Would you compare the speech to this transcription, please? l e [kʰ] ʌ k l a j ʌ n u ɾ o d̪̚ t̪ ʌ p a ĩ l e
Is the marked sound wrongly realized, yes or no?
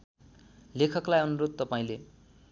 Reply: no